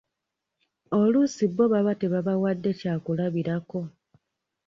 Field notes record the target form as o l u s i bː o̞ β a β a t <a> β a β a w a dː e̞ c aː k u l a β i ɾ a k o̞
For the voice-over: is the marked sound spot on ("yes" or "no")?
no